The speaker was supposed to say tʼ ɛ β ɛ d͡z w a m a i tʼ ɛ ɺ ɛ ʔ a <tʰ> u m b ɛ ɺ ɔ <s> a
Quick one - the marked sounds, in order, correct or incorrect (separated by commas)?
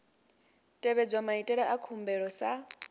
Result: incorrect, correct